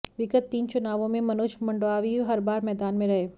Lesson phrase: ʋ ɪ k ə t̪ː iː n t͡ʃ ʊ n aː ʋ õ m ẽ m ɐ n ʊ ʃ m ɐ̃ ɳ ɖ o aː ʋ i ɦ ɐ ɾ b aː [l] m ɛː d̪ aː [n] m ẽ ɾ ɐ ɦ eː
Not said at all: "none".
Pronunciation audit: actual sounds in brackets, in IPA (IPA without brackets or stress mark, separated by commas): ɾ, n